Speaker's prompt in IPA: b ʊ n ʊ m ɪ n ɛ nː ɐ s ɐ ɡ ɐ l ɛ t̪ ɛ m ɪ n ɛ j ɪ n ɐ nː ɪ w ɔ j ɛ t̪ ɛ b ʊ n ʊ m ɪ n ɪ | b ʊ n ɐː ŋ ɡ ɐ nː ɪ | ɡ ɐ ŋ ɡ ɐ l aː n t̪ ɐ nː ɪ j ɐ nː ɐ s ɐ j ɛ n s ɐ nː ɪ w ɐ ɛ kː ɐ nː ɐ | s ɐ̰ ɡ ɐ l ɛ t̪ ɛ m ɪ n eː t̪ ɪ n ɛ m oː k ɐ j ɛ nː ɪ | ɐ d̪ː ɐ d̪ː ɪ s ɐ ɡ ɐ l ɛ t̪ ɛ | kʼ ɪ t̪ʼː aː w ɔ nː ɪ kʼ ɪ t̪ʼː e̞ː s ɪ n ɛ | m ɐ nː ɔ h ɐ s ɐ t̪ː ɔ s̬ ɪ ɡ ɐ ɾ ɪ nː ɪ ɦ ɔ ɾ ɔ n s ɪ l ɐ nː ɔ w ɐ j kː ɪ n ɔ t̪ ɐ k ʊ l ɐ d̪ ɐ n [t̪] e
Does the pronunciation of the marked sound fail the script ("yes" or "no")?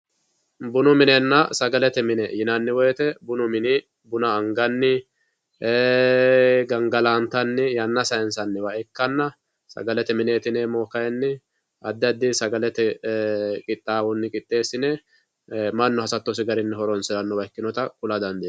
yes